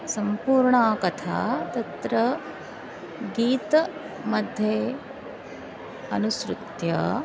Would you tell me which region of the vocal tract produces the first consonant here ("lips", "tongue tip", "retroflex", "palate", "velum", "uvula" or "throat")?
tongue tip